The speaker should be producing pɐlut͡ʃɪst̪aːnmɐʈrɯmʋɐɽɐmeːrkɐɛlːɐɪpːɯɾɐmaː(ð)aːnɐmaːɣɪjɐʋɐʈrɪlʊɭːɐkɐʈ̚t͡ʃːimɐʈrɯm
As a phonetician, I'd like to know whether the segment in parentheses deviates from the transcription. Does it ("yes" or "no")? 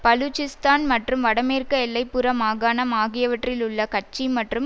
yes